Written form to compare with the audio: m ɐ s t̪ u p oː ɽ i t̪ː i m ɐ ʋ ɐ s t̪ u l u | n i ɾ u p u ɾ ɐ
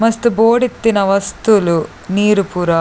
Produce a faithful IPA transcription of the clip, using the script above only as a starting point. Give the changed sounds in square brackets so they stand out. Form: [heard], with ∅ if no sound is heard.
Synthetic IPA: m ɐ s t̪ u [b] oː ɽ i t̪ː i [n] ɐ ʋ ɐ s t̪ u l u | n [iː] ɾ u p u ɾ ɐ